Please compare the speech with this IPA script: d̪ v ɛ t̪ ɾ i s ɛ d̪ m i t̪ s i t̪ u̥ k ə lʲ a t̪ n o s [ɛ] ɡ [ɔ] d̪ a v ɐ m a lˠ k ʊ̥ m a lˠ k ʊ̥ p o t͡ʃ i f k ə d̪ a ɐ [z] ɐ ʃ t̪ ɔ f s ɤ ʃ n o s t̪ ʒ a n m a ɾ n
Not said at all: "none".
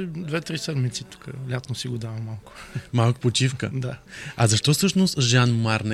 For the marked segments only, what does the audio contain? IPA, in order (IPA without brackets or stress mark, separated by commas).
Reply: i, o, z